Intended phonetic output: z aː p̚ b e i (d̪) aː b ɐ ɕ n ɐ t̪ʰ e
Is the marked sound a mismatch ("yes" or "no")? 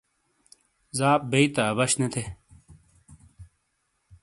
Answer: yes